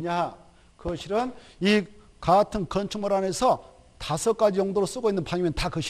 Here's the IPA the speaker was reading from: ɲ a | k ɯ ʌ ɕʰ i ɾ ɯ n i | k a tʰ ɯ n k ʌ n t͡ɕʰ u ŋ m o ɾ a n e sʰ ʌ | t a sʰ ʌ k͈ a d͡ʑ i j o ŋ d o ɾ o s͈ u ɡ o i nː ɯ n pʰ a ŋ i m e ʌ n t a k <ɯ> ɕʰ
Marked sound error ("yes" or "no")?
no